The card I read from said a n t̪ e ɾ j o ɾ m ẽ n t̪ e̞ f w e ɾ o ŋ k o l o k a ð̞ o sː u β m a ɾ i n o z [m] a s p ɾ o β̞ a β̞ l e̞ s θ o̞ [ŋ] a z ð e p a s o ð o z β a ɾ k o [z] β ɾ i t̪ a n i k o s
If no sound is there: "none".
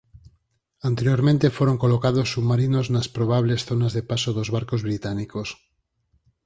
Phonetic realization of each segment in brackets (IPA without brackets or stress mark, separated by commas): n, n, z